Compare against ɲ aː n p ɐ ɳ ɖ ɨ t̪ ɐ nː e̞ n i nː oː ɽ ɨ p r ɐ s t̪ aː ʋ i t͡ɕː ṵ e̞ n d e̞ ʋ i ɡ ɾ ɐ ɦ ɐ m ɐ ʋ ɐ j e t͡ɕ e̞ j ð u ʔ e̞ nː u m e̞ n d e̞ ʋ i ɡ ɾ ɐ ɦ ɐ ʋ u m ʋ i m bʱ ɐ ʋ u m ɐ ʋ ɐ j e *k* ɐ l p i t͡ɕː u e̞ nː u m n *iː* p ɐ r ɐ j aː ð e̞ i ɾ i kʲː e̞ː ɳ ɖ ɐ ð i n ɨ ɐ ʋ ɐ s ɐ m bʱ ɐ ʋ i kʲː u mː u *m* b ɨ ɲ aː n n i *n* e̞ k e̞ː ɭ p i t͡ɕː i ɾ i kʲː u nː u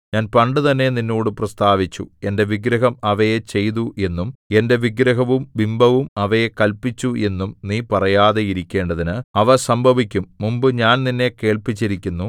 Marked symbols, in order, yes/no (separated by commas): yes, yes, yes, no